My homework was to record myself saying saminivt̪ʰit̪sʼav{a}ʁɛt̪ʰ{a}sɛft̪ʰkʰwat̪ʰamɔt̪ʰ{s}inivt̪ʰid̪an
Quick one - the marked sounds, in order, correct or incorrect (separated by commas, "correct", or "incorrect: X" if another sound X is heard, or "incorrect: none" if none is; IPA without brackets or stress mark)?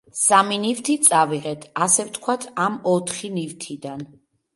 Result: incorrect: i, correct, incorrect: χ